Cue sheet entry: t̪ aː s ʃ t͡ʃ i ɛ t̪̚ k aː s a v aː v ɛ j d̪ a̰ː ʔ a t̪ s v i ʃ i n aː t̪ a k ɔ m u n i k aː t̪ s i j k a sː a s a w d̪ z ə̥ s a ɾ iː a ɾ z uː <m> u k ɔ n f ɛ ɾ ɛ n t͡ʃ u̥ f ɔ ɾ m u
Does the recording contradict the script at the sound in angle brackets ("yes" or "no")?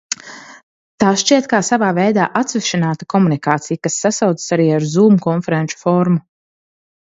no